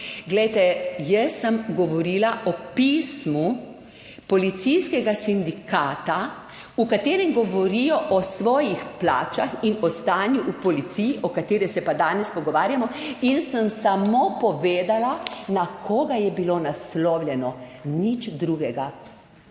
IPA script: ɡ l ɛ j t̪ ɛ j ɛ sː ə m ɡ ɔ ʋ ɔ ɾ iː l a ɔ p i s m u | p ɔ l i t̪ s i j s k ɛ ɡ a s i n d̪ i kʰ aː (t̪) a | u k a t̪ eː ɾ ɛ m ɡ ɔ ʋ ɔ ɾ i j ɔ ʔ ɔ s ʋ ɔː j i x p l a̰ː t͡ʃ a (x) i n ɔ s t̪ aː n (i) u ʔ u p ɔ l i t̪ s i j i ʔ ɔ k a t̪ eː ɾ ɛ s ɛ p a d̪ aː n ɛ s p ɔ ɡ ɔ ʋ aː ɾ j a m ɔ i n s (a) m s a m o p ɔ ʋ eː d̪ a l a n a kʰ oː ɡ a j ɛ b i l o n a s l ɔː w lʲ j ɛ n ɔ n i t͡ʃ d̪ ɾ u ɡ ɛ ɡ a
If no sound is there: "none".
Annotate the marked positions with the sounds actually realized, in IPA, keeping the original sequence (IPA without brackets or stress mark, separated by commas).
t̪, x, j, ə